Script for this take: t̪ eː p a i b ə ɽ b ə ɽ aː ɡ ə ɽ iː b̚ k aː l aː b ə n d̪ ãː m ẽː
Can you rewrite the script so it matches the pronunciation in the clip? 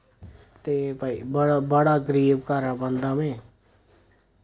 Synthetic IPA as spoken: t̪ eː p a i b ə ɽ b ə ɽ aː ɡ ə ɾ iː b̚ k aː ɾ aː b ə n d̪ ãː m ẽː